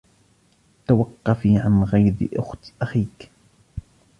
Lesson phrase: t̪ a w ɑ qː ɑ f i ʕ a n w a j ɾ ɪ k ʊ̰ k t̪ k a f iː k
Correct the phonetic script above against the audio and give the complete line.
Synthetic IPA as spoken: t̪ a w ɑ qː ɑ f i ʕ a n ɣ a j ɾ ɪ ʔ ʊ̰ x t̪ ʔ a x iː k